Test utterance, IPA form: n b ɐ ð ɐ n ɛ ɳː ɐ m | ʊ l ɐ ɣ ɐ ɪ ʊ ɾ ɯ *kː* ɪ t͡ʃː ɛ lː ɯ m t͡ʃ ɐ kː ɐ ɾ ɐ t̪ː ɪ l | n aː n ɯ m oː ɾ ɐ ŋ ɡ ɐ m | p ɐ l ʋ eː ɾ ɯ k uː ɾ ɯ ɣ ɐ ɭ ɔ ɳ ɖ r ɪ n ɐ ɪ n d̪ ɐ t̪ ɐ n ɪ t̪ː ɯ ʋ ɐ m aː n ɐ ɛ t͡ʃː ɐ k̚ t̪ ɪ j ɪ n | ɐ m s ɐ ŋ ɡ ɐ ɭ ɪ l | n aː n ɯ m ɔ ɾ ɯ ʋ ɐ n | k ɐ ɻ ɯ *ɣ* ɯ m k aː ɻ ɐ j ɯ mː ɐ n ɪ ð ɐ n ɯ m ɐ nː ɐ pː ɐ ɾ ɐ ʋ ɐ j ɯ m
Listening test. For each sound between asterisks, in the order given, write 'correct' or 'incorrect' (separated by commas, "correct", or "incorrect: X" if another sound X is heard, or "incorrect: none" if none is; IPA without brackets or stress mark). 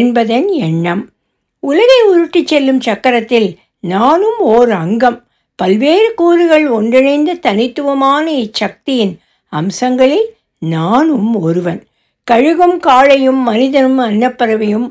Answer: incorrect: ʈː, correct